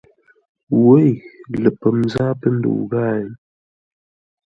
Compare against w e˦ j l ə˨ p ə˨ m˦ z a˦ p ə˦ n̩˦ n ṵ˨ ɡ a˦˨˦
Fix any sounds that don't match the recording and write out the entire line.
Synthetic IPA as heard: w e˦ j l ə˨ p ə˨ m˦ z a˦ p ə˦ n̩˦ d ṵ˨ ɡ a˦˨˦